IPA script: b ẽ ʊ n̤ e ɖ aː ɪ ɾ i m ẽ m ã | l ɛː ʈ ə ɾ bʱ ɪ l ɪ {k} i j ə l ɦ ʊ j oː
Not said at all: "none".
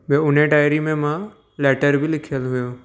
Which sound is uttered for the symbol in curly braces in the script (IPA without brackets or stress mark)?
kʰ